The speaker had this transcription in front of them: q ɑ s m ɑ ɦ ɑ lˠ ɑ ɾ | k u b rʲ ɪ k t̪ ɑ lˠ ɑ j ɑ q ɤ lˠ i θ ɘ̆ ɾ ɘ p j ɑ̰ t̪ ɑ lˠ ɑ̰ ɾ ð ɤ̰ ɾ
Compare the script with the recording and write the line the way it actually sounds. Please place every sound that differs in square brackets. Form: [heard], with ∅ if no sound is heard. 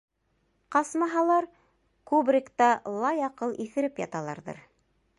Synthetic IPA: q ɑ s m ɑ ɦ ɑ lˠ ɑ ɾ | k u b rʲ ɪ k t̪ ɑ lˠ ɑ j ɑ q ɤ lˠ i θ ɘ̆ ɾ ɘ p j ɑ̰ t̪ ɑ lˠ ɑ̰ ɾ ð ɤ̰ ɾ